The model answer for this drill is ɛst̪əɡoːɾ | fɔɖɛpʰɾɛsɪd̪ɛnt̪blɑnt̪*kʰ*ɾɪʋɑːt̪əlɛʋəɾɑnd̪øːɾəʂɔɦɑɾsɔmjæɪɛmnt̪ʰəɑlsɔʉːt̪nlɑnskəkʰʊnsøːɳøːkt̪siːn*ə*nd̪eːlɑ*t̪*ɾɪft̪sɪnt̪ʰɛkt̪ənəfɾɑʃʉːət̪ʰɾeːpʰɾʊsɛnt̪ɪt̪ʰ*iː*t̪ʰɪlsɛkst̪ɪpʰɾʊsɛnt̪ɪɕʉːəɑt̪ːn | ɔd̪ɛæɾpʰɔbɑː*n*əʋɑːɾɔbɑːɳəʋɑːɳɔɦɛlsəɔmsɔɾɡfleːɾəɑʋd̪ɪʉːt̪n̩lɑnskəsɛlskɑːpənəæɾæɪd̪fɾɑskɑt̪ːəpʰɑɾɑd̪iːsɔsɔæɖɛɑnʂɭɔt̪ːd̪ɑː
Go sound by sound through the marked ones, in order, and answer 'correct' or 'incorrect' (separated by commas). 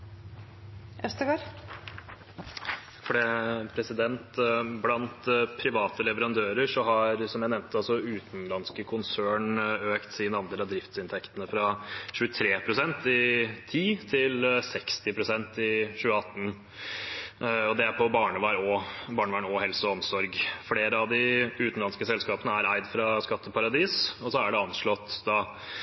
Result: incorrect, incorrect, incorrect, correct, incorrect